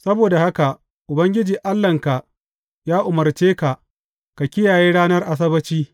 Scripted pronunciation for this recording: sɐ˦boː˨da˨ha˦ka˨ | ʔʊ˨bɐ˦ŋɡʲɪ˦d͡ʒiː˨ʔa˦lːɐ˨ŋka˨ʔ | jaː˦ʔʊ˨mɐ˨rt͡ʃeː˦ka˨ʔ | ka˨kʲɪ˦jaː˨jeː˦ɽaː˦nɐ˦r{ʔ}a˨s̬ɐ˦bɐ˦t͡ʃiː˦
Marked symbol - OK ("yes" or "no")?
yes